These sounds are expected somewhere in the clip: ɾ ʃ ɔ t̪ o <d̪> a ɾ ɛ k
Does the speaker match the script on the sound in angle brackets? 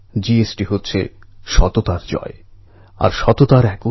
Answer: no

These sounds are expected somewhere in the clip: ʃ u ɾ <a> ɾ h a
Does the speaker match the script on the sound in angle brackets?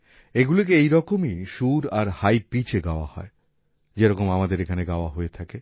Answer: yes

